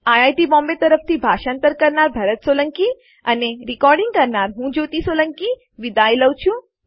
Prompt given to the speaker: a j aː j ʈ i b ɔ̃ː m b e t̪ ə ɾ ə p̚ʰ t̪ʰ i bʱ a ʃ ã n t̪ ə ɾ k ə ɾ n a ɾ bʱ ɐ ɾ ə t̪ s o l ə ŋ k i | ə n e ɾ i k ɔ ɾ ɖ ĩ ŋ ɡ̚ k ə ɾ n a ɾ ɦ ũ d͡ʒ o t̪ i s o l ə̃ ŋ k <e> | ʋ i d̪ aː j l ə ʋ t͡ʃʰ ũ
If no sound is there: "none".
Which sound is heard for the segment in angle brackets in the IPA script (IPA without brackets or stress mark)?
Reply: i